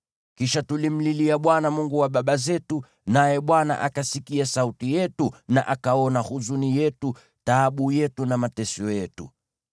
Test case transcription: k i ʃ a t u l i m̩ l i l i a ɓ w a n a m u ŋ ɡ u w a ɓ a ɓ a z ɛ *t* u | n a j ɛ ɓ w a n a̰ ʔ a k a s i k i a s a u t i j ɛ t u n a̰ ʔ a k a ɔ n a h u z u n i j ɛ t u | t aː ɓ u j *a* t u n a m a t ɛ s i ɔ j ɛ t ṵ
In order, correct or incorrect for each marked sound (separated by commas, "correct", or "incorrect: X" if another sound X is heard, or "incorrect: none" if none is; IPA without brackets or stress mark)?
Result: correct, incorrect: ɛ